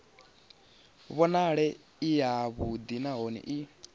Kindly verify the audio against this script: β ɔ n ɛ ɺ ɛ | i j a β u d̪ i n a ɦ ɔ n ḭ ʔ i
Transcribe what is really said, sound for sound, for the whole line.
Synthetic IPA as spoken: β ɔ n a ɺ ɛ | i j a β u d̪ i n a ɦ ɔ n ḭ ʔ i